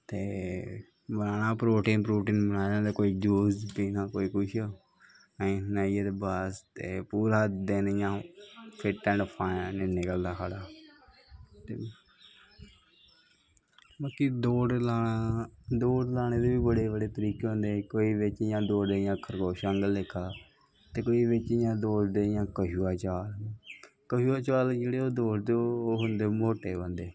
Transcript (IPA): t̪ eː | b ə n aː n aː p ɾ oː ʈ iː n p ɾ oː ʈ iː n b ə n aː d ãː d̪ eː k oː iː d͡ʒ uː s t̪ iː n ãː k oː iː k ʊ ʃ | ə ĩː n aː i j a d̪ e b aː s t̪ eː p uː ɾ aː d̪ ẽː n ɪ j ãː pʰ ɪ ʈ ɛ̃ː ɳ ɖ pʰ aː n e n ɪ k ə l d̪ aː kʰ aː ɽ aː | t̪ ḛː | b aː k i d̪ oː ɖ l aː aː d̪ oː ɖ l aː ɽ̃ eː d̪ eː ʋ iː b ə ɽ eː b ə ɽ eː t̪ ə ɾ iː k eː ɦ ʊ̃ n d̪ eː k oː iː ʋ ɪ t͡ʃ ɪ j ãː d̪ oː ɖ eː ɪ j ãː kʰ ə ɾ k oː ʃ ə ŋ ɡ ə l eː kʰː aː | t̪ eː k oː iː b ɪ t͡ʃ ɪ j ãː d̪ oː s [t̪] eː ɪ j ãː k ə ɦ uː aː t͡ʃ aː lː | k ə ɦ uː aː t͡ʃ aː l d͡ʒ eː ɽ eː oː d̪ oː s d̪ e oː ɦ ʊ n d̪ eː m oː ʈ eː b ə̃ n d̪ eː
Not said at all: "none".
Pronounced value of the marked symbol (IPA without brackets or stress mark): d̪